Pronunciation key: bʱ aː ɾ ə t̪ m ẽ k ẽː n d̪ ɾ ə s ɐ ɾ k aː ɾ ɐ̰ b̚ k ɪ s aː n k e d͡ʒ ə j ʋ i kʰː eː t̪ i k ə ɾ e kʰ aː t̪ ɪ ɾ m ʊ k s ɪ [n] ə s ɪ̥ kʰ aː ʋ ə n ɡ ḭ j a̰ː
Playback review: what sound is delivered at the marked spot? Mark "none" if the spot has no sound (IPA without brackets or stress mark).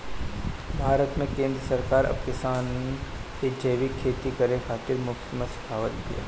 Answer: m